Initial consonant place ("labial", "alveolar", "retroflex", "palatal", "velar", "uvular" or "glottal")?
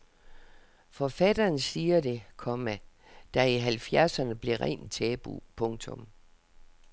labial